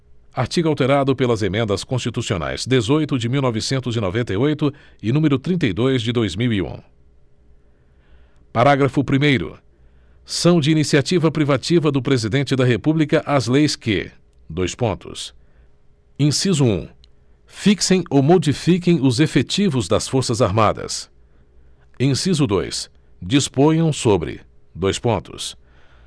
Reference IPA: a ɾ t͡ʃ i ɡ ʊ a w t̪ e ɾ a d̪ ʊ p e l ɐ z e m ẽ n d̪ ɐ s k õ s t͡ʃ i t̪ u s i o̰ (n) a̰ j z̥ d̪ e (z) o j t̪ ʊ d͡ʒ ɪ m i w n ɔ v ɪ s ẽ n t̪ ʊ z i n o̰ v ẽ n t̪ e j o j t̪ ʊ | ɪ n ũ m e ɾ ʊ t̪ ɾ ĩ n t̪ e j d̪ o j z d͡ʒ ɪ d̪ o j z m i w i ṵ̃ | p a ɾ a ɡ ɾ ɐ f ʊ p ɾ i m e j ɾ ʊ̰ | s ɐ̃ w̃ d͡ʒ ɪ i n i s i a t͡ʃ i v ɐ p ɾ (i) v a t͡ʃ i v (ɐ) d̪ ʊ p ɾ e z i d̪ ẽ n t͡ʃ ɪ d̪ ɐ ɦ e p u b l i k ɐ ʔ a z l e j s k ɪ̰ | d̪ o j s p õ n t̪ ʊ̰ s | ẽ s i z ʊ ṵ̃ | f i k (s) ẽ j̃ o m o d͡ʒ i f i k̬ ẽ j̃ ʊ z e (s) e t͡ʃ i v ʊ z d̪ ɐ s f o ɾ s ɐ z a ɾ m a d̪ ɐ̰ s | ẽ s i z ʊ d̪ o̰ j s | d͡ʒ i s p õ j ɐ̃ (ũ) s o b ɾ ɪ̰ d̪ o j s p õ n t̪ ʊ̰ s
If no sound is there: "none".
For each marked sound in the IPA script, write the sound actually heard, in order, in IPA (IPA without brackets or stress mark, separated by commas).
n, z, i, ɐ, s, f, w̃